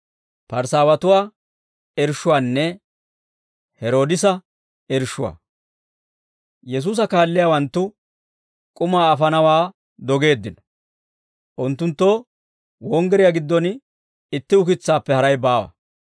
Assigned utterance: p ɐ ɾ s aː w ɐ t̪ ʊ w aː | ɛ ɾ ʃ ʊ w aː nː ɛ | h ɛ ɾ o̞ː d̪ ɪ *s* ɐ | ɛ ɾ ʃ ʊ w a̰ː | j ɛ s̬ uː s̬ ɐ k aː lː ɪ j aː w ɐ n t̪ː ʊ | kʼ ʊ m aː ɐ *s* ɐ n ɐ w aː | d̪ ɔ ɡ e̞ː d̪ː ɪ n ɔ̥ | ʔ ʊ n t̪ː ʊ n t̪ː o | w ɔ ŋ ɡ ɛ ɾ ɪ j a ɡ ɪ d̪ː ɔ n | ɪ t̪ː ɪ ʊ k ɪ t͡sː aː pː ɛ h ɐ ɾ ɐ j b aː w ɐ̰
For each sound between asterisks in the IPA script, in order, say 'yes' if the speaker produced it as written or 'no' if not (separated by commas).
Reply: yes, no